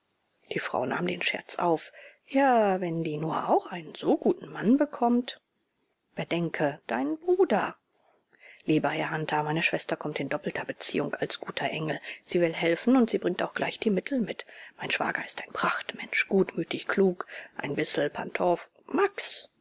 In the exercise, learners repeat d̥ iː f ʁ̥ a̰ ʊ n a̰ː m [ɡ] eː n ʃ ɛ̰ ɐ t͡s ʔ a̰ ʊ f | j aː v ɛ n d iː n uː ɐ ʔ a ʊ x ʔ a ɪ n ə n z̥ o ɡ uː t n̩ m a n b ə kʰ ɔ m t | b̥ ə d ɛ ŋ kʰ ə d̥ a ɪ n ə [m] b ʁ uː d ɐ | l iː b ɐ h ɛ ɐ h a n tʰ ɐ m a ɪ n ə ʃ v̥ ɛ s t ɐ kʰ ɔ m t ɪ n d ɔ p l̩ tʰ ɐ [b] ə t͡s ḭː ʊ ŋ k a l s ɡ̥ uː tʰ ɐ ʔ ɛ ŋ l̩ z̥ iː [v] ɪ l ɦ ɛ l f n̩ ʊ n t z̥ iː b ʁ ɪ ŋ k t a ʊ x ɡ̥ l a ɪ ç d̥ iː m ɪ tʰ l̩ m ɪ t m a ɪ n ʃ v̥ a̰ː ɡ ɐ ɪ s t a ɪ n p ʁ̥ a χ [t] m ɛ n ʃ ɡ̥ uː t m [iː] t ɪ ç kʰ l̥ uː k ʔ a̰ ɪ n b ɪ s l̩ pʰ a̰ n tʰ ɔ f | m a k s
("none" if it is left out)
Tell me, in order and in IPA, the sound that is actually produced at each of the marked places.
d, n, b, v, t, yː

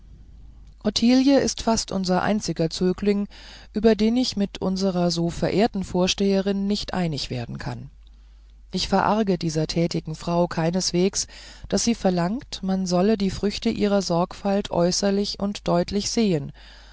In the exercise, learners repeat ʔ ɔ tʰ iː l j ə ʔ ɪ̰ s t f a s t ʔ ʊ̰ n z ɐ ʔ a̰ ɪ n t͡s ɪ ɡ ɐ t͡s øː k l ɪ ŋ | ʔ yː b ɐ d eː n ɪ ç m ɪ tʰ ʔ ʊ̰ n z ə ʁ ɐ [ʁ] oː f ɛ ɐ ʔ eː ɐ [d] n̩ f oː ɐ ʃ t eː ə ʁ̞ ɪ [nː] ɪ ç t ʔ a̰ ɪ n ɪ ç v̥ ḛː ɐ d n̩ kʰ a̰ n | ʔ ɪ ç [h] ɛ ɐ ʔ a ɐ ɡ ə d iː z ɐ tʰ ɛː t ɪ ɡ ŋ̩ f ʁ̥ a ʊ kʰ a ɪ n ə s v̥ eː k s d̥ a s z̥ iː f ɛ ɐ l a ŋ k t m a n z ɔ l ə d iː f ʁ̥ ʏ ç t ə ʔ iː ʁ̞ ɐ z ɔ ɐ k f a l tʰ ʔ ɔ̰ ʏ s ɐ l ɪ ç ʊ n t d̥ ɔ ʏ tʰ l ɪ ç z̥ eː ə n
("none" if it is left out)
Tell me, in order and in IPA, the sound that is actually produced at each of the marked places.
z, t, nː, f

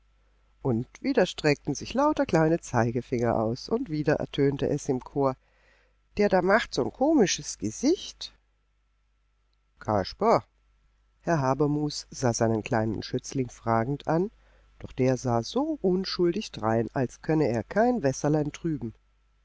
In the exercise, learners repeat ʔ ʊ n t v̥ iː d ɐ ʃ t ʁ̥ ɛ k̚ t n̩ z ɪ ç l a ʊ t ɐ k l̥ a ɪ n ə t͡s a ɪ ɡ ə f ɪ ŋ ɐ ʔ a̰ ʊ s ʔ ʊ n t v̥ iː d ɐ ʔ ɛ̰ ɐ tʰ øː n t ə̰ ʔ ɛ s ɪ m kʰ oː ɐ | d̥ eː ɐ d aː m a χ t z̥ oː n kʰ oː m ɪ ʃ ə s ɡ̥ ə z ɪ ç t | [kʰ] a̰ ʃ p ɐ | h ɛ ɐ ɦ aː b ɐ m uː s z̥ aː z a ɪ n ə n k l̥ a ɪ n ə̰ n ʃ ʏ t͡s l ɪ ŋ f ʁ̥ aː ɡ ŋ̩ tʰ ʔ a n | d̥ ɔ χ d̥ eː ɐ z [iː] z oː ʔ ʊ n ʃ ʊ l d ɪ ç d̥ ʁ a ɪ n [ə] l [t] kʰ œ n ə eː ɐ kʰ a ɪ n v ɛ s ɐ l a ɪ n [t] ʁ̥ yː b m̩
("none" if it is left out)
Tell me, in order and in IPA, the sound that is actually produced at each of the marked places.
kʰ, aː, a, s, t

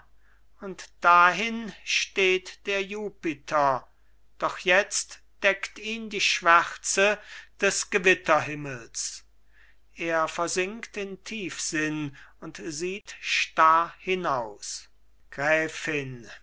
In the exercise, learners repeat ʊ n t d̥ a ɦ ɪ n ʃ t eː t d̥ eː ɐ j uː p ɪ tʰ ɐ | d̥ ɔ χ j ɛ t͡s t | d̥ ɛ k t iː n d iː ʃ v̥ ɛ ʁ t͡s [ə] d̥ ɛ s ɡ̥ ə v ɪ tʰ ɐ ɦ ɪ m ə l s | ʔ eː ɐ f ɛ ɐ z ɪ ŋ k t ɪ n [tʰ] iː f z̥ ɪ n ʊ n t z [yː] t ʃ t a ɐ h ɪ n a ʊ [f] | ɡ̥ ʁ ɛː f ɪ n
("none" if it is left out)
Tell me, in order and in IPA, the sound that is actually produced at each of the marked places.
ə, tʰ, iː, s

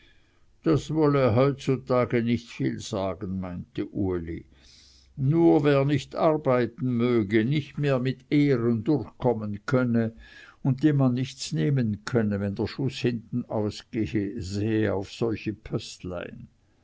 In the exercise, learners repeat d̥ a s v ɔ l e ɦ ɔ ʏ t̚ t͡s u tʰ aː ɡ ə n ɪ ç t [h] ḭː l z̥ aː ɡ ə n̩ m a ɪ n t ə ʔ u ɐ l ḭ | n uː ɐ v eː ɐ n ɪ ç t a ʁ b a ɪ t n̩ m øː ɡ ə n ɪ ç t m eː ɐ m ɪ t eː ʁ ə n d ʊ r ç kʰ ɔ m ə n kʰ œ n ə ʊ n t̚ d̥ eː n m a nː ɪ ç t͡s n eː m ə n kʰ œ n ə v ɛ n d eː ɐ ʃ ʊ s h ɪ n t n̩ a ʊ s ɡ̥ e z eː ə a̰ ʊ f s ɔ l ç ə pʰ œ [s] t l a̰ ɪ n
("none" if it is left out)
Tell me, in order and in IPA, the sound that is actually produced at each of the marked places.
f, s

